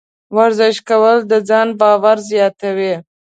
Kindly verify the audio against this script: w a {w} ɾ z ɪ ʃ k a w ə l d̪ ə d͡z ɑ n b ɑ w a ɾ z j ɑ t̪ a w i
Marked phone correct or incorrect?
incorrect